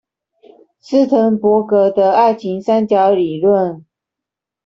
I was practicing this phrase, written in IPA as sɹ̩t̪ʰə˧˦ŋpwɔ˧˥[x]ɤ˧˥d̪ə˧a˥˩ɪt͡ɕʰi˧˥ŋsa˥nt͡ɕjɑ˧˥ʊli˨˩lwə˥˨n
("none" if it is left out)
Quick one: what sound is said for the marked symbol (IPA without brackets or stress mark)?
k